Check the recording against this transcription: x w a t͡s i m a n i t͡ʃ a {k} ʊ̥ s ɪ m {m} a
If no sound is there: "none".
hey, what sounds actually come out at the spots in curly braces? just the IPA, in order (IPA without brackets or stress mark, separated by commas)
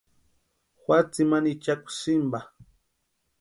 k, b